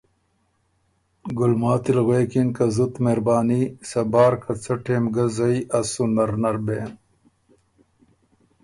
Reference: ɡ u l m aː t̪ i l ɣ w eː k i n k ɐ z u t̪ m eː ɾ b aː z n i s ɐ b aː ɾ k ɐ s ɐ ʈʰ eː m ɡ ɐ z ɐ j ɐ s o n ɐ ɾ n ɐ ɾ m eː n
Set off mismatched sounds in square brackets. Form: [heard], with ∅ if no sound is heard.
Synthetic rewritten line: ɡ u l m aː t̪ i l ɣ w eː k i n k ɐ z u t̪ m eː ɾ b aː [∅] n i s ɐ b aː ɾ k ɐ [t͡s] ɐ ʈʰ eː m ɡ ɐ z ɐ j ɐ s [u] n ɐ ɾ n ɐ ɾ [b] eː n